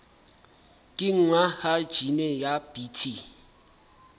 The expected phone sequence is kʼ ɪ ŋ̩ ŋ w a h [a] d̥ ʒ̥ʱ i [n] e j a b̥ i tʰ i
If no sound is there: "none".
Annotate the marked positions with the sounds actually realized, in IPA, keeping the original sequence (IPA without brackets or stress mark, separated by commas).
a, n